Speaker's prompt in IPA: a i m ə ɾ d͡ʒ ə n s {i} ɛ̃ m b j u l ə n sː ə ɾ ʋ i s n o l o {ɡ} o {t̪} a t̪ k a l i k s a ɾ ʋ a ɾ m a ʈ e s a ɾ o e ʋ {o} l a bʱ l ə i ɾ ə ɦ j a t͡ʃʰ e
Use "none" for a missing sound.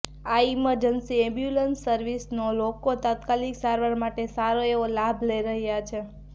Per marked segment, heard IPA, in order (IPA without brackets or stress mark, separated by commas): i, k, t̪, o